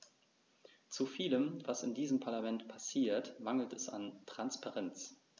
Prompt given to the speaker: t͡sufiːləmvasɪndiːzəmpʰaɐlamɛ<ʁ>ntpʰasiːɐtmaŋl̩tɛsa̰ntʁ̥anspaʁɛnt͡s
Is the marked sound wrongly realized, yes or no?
yes